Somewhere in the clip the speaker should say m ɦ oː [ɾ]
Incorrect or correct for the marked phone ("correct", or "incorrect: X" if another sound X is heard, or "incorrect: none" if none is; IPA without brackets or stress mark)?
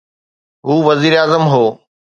incorrect: none